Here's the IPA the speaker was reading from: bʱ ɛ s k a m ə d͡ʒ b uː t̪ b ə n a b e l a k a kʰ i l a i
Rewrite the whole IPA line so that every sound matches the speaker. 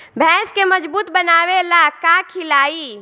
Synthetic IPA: bʱ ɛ s k e m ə d͡ʒ b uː t̪ b ə n a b e l a k a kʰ i l a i